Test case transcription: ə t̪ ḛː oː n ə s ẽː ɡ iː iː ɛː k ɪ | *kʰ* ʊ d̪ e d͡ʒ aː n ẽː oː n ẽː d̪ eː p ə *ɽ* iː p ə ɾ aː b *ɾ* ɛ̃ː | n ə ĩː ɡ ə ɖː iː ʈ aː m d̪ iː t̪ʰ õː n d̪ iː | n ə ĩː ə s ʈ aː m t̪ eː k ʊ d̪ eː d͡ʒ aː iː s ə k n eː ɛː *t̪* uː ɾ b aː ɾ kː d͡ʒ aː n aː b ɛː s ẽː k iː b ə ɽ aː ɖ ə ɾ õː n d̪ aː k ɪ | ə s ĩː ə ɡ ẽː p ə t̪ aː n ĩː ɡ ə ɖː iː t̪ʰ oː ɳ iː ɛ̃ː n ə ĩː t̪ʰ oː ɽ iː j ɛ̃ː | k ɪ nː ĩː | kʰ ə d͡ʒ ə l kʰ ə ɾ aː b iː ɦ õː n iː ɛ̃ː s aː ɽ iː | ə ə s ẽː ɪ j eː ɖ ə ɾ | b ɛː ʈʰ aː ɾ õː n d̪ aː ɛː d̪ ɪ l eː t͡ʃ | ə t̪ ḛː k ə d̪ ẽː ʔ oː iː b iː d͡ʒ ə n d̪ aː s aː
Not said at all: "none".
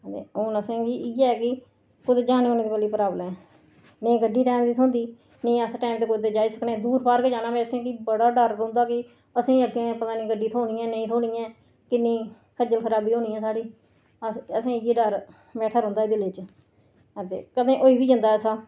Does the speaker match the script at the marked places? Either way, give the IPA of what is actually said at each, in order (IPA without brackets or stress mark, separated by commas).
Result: k, l, l, d̪